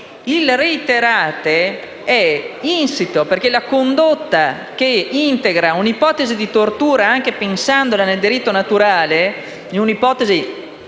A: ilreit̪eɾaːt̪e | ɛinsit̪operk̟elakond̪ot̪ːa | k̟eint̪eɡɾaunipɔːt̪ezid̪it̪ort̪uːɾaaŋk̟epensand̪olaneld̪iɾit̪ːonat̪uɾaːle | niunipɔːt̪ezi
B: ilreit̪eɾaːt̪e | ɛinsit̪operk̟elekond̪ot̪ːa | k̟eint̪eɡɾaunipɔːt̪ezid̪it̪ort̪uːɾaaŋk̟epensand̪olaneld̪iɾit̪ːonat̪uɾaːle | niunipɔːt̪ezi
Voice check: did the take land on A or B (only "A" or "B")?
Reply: A